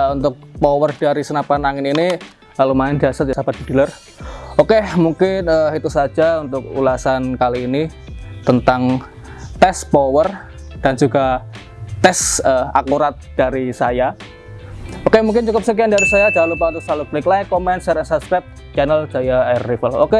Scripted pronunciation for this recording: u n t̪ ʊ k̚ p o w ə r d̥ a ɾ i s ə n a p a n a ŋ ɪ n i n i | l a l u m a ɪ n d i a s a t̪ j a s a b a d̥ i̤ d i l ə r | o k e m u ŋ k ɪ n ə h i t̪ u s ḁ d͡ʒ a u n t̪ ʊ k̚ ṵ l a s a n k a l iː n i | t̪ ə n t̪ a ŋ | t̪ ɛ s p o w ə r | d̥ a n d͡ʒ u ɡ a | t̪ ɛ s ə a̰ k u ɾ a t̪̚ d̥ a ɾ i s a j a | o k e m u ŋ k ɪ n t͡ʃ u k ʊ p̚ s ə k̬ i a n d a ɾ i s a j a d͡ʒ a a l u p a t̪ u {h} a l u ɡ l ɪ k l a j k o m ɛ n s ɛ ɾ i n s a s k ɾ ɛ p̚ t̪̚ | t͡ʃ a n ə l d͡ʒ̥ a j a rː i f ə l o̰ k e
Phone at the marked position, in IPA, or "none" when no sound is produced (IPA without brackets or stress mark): s